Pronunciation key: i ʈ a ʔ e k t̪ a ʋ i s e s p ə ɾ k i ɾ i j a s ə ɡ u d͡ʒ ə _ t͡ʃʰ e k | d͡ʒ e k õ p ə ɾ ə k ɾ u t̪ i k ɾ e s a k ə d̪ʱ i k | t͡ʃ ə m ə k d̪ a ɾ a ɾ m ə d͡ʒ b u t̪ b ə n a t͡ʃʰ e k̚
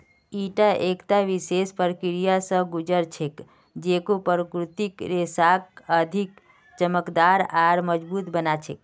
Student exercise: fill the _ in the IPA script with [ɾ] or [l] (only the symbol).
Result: ɾ